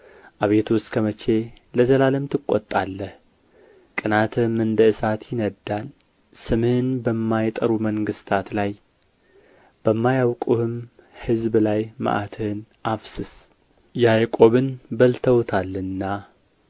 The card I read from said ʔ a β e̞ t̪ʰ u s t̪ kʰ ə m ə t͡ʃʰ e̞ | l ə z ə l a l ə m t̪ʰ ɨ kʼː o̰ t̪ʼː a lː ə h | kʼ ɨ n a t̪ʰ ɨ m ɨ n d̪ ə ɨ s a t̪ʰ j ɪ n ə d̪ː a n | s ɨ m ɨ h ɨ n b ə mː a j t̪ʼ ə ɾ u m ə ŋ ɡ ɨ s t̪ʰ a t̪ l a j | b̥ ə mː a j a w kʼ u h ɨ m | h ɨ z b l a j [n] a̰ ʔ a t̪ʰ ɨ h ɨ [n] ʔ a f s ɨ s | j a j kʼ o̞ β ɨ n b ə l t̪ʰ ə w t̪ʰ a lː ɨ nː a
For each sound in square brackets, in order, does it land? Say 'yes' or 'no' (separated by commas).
no, yes